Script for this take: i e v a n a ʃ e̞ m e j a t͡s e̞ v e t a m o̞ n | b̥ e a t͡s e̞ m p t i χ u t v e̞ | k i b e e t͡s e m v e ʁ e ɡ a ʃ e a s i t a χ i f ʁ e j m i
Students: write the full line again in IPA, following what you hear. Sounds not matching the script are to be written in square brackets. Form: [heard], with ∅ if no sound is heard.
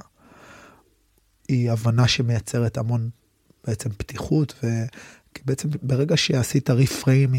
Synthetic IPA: i [a] v a n a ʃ e̞ m e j a t͡s e̞ [ʁ] e t a m o̞ n | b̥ e [e] t͡s e̞ m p t i χ u t v e̞ | k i b e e t͡s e m [b] e ʁ e ɡ a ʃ e a s i t a [ʁ] i f ʁ e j m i